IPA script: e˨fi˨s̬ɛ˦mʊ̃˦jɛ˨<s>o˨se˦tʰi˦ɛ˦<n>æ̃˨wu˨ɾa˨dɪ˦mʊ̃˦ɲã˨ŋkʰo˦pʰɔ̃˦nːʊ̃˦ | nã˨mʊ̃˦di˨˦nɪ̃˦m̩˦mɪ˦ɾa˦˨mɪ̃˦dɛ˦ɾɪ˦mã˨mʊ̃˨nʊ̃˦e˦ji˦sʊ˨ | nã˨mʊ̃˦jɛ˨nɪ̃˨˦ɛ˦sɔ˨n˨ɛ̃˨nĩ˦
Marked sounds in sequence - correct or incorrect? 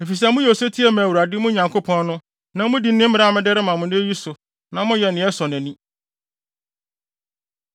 incorrect, incorrect

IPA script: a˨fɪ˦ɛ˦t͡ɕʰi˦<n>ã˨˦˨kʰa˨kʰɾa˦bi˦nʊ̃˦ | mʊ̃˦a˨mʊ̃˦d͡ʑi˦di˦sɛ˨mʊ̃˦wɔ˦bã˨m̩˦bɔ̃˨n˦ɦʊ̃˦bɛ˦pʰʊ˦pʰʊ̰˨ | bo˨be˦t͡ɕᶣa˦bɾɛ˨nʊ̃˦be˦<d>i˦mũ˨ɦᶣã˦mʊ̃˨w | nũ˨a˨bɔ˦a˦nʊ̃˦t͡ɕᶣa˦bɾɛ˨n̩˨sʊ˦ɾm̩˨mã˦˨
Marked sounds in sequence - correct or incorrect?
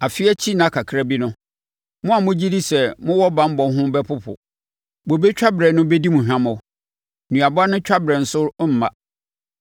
correct, correct

